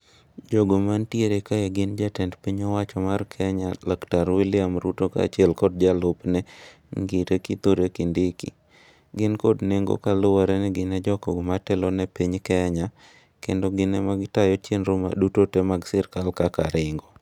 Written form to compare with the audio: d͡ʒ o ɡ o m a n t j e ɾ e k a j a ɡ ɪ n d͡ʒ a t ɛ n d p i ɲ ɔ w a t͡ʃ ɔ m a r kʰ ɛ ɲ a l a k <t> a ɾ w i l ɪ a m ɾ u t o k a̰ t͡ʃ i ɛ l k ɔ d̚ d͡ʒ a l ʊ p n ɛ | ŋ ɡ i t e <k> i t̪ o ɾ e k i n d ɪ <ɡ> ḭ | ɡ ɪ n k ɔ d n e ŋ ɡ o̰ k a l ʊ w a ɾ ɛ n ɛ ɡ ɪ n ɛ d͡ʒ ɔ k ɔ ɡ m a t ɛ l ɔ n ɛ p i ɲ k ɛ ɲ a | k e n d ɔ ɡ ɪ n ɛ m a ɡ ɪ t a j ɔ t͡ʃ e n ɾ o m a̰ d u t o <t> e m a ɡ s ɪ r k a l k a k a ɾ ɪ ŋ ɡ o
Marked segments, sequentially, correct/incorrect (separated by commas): correct, correct, incorrect, correct